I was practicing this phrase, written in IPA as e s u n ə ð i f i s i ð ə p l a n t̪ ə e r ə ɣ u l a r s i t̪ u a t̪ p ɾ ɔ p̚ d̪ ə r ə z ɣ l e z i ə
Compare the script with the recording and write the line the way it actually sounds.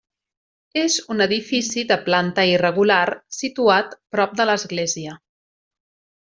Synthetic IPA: e z u n ə ð i f i s i ð ə p l a n t̪ ə i r ə ɣ u l a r s i t̪ u a t̪ p ɾ ɔ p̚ d̪ ə l ə z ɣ l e z i ə